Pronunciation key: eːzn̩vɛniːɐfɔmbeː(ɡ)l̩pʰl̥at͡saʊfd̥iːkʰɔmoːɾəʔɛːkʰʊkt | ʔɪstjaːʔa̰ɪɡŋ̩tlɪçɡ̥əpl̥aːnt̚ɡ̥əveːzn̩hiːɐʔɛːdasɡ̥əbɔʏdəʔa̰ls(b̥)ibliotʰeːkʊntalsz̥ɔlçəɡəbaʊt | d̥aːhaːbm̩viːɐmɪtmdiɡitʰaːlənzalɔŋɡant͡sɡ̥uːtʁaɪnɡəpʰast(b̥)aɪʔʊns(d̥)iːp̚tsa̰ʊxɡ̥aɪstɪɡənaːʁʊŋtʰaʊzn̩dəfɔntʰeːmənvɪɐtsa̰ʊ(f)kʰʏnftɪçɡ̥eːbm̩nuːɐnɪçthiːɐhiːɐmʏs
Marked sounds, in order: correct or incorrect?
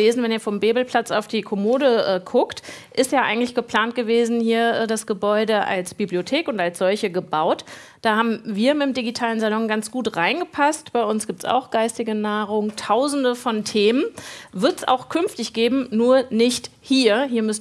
incorrect: b, correct, correct, incorrect: ɡ̥, incorrect: x

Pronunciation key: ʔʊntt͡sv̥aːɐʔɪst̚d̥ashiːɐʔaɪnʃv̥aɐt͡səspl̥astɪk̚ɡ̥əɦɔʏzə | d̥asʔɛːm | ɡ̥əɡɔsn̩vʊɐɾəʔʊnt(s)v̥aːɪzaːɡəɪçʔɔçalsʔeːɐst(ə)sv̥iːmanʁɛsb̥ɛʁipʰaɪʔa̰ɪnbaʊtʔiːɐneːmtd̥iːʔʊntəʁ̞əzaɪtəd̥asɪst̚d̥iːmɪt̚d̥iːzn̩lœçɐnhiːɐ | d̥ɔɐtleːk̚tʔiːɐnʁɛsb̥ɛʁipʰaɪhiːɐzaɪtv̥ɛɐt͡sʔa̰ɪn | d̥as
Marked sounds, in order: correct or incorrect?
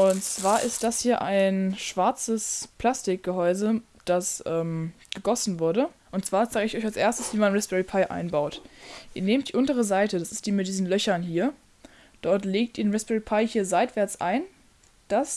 incorrect: t͡s, correct

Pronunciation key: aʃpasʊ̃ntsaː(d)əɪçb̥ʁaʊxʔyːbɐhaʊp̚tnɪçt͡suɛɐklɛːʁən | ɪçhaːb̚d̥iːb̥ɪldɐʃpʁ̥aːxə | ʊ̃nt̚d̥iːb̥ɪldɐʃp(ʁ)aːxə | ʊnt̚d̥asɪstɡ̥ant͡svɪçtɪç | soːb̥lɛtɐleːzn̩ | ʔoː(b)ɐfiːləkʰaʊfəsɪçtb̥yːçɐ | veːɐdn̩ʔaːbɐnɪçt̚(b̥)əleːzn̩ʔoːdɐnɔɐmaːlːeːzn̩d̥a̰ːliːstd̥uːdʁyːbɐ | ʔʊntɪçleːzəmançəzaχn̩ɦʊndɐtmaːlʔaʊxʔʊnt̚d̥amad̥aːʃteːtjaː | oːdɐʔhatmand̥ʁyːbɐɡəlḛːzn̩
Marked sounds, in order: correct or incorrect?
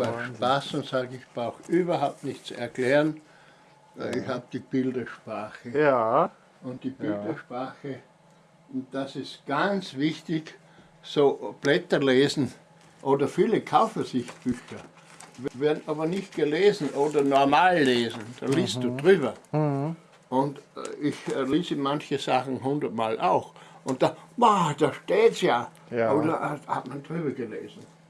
incorrect: ɡ, correct, incorrect: d, incorrect: ɡ̥

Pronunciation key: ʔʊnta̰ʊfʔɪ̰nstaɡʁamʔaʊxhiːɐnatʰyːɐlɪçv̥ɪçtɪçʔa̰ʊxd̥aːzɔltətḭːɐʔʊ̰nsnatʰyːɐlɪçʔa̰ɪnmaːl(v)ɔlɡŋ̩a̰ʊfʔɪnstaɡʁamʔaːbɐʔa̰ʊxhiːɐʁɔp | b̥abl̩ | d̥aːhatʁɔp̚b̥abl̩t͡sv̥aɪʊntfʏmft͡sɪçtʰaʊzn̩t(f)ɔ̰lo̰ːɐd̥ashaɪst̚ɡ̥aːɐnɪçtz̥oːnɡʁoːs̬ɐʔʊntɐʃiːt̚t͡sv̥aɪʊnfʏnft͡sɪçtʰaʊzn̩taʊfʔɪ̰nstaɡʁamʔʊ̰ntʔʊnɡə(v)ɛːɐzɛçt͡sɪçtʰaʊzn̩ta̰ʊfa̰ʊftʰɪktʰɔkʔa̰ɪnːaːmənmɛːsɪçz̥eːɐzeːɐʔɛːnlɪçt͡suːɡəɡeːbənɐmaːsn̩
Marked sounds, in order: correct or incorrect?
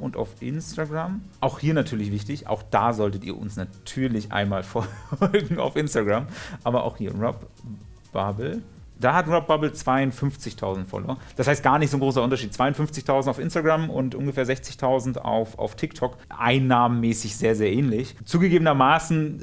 incorrect: f, correct, incorrect: f

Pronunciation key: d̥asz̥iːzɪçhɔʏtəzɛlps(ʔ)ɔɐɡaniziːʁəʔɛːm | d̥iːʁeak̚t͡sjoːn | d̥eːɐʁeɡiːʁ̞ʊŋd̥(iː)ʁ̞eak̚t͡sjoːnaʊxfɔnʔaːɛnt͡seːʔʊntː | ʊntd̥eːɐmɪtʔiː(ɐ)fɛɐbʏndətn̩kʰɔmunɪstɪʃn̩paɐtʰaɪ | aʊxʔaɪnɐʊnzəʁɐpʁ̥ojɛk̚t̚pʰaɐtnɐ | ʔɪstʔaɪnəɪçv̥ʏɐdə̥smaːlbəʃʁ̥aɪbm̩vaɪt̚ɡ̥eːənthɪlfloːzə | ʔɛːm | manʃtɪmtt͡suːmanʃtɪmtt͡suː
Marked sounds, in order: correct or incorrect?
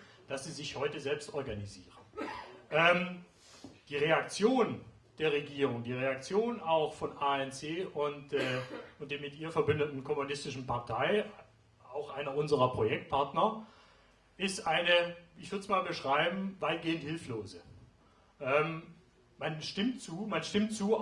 incorrect: t, correct, correct

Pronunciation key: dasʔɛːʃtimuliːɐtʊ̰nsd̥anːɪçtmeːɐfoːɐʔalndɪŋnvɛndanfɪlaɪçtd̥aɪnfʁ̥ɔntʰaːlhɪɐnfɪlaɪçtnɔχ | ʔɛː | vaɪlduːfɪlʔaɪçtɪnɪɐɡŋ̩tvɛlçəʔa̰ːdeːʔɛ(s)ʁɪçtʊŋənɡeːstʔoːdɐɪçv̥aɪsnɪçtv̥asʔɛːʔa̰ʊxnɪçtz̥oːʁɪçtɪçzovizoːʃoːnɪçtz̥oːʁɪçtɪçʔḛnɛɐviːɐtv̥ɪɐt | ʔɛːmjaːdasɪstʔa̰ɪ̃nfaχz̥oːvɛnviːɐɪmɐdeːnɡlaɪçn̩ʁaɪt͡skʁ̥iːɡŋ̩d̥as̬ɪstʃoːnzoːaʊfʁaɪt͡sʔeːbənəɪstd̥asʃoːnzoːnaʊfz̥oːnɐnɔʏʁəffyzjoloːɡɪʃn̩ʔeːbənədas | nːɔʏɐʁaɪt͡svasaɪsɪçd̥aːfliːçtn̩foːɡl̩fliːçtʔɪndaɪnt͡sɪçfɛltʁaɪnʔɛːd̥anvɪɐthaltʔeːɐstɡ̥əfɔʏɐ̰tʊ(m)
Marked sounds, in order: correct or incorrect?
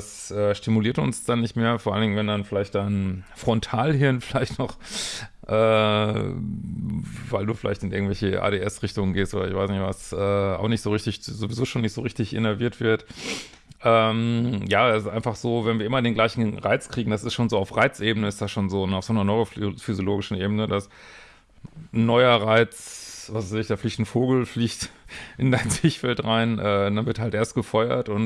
correct, incorrect: n

